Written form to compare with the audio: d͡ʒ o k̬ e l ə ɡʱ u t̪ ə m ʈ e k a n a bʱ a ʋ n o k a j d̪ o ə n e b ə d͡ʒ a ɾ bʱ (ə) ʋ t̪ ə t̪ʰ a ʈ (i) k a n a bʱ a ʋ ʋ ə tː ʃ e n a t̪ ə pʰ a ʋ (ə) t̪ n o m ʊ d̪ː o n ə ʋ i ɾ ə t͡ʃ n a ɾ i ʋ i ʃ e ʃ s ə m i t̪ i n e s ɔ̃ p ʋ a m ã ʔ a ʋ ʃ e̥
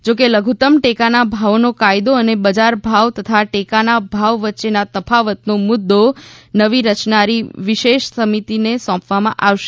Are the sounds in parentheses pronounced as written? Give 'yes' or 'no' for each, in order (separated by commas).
no, no, yes